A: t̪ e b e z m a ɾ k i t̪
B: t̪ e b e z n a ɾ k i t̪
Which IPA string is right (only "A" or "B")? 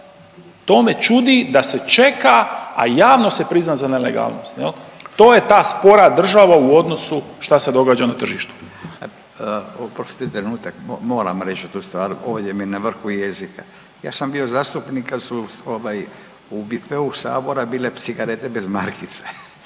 A